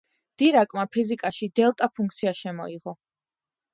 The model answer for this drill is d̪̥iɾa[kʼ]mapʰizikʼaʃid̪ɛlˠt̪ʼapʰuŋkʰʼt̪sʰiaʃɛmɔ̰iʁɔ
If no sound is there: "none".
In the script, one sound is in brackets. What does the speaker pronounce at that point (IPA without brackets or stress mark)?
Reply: kʼ